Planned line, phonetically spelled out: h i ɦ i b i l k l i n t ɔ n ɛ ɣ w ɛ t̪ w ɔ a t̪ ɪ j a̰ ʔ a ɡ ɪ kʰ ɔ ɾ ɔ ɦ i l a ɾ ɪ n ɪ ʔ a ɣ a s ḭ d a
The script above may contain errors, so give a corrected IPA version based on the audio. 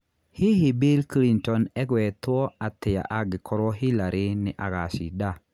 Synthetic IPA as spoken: h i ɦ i b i l k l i n t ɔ n ɛ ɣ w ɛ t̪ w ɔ a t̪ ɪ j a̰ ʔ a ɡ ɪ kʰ ɔ ɾ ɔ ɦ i l a ɾ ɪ n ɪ ʔ a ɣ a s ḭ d a